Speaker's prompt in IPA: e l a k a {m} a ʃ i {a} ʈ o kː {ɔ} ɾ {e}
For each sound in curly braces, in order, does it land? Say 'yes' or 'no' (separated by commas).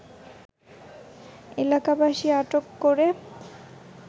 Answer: no, yes, no, yes